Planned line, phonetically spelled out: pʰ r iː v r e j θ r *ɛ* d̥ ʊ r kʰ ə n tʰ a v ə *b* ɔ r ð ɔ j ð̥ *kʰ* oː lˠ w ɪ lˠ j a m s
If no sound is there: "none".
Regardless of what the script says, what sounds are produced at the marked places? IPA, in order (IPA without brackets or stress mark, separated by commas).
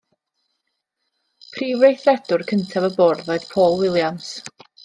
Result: ɛ, b, pʰ